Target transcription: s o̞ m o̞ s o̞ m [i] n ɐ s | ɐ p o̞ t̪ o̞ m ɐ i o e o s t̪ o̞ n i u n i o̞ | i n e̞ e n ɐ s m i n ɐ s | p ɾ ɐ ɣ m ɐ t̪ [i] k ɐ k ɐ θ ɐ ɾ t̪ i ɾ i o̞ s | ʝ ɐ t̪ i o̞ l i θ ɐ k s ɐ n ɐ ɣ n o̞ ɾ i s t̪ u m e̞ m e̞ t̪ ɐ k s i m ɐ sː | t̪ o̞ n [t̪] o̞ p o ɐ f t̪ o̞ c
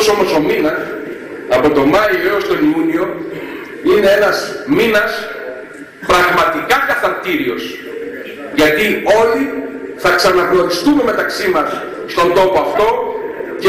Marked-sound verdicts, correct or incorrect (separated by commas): correct, correct, incorrect